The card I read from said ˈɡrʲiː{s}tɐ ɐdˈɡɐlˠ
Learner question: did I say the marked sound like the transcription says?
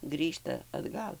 no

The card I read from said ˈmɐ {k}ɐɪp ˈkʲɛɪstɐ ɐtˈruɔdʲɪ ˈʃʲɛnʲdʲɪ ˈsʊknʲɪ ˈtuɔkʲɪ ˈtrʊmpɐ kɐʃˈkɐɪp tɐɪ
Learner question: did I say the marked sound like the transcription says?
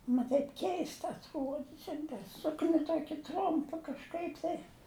no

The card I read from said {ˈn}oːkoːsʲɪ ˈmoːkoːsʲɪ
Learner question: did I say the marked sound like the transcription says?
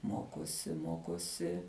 no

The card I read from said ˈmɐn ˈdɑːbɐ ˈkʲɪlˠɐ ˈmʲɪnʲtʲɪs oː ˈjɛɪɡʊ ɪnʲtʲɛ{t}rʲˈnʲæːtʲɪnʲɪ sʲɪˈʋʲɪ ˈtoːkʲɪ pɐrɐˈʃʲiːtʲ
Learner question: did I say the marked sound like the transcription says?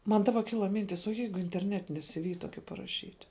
no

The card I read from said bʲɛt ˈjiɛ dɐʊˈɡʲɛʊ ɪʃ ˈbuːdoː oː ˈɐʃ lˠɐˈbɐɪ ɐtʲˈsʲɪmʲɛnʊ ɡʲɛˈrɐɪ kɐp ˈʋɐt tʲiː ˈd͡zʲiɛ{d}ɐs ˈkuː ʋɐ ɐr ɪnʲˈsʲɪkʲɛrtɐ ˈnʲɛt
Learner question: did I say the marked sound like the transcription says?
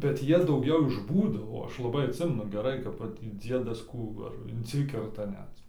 yes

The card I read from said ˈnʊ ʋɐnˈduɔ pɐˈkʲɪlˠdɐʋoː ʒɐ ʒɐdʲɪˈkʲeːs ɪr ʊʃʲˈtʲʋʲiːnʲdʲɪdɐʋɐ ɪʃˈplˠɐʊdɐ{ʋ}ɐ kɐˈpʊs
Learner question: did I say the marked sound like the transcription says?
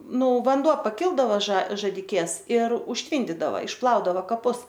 yes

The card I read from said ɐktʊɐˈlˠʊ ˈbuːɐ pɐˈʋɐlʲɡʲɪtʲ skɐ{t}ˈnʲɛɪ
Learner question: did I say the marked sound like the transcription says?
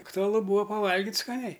no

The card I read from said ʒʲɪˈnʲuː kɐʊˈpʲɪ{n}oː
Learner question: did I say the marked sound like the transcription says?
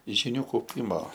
no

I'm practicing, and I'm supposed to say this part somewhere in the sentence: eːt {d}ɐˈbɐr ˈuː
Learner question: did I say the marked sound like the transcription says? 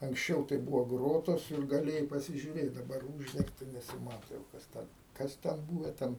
yes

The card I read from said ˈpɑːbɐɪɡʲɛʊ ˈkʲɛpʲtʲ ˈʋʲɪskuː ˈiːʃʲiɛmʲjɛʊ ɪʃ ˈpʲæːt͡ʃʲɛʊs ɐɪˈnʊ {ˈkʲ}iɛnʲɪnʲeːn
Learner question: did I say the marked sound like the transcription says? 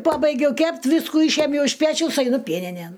no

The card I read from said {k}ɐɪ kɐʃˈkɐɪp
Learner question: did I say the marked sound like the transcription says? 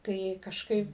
no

